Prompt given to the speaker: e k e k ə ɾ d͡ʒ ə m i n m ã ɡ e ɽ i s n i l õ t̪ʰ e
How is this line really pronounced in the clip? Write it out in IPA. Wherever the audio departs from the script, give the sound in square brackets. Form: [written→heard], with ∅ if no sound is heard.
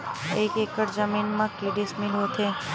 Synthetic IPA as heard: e k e k ə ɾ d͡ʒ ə m i n m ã [ɡ→k] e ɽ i s [n→m] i l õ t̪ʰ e